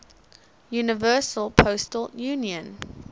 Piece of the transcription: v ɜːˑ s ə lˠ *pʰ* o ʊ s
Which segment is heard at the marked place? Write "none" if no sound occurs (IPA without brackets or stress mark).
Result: pʰ